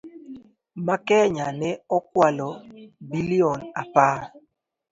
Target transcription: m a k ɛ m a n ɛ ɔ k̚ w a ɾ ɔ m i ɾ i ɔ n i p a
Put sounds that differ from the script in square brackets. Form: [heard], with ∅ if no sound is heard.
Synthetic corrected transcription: m a k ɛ [ɲ] a n ɛ ɔ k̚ w a [l] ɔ [b] i [l] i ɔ n [a] p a